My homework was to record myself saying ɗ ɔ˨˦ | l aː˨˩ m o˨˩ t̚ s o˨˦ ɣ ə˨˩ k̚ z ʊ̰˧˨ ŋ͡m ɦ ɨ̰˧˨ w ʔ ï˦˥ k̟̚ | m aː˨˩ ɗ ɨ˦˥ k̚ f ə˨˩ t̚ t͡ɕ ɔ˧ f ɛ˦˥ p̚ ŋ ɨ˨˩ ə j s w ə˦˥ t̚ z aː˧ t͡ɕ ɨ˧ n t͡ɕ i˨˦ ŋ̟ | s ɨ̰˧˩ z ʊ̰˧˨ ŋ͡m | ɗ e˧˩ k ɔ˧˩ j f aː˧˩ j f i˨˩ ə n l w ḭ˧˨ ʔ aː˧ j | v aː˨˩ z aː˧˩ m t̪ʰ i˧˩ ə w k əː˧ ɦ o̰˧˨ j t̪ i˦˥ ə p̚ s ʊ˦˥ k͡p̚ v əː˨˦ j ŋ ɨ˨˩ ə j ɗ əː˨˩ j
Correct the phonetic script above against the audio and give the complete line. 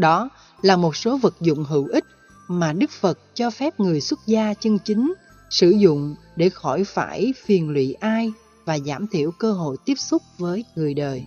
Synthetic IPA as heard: ɗ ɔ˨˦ | l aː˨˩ m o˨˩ t̚ s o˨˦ v ə˨˩ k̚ z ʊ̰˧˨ ŋ͡m ɦ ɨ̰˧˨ w ʔ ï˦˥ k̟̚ | m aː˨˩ ɗ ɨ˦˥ k̚ f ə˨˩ t̚ t͡ɕ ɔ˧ f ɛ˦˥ p̚ ŋ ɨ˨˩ ə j s w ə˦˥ t̚ z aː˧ t͡ɕ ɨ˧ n t͡ɕ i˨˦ ŋ̟ | s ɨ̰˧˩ z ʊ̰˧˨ ŋ͡m | ɗ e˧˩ x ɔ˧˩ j f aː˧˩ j f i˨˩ ə n l w ḭ˧˨ ʔ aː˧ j | v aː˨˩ z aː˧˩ m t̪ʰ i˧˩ ə w k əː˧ ɦ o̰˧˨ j t̪ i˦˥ ə p̚ s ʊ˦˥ k͡p̚ v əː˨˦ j ŋ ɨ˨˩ ə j ɗ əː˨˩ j